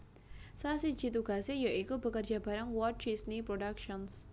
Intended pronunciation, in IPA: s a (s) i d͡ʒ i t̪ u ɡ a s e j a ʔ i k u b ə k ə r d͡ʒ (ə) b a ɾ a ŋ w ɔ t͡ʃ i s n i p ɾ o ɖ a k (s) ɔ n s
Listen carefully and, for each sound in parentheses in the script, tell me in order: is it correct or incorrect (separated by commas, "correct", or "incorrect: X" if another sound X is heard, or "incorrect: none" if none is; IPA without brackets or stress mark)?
correct, incorrect: a, incorrect: ʃ